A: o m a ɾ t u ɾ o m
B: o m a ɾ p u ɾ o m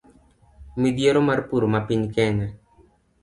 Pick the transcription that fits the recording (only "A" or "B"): B